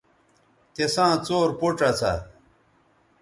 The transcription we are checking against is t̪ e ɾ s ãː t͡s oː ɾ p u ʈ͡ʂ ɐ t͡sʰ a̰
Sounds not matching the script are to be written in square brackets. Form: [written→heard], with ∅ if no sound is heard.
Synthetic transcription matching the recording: t̪ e [ɾ→∅] s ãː t͡s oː ɾ p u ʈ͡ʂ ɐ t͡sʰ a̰